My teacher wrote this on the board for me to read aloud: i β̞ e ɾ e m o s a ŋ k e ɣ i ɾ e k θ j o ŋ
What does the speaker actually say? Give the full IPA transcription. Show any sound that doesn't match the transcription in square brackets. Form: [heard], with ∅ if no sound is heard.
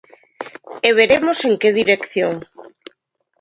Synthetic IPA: [e] β̞ e ɾ e m o s [e] ŋ k e [ð] i ɾ e k θ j o ŋ